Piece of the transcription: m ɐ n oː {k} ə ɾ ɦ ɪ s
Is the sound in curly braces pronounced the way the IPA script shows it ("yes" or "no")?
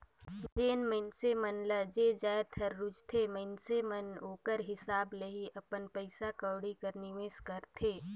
yes